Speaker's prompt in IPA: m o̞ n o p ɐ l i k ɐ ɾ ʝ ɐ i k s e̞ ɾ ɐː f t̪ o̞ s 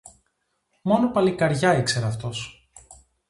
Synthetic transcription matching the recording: m o̞ n o p ɐ l i k ɐ ɾ ʝ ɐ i k s e̞ ɾ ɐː f t̪ o̞ s